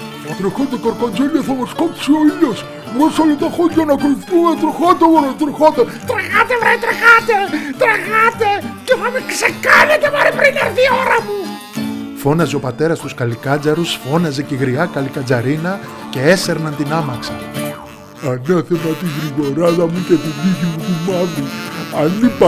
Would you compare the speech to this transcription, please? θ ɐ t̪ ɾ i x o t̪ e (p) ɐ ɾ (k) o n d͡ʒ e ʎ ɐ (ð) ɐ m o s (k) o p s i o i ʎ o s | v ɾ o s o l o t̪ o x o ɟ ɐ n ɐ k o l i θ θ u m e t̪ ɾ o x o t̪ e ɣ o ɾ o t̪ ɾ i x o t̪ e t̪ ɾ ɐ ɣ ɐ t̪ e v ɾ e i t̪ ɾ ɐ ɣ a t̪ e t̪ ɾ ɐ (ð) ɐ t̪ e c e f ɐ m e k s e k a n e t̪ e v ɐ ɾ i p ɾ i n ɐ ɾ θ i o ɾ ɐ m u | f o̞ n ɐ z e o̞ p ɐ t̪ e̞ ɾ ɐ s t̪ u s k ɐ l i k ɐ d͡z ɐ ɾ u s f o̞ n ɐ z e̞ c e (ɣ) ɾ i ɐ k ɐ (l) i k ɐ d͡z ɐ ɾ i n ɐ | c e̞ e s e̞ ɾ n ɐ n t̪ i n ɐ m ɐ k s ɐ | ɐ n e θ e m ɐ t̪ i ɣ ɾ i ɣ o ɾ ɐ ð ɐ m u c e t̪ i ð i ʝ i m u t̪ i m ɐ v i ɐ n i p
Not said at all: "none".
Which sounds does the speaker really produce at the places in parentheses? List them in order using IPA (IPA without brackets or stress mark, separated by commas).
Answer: k, k, θ, k, ɣ, ɣ, l